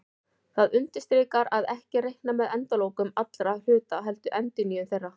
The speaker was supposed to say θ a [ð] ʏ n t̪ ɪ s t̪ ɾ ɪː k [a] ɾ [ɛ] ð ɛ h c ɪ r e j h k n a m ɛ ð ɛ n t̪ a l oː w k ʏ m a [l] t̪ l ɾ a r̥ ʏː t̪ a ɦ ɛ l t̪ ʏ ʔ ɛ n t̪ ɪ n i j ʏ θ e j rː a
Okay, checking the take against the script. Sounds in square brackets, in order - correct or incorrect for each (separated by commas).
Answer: correct, correct, incorrect, incorrect